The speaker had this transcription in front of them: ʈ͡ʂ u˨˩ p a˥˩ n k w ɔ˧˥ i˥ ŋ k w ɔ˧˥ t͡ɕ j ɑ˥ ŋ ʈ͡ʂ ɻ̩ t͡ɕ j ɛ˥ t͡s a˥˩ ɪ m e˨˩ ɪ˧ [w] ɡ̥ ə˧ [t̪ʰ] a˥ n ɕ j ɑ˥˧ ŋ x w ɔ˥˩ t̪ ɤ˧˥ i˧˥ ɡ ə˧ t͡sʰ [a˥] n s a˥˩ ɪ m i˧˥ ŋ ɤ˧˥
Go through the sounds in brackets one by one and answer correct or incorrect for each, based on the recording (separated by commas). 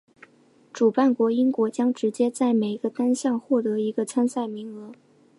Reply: incorrect, incorrect, correct